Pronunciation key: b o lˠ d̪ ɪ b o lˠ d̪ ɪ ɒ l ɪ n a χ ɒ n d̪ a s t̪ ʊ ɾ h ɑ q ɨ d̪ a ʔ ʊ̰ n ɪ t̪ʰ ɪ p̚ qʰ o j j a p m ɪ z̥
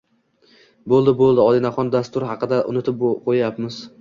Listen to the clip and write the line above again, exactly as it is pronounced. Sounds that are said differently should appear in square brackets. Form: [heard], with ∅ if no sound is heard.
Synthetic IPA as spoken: b o lˠ d̪ ɪ b o lˠ d̪ ɪ ɒ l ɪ n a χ ɒ n d̪ a s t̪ ʊ ɾ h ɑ q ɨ d̪ a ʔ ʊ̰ n ɪ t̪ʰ ɪ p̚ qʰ o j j a p m ɪ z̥